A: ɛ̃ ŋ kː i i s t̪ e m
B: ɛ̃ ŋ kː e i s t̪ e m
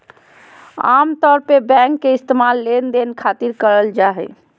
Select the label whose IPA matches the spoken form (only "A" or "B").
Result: B